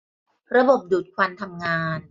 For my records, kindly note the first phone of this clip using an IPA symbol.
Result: ɾ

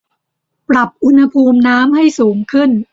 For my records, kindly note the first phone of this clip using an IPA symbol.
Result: p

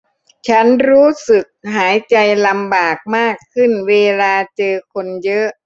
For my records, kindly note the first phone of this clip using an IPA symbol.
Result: t͡ɕʰ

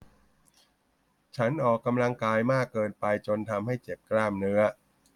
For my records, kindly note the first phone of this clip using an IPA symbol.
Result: t͡ɕʰ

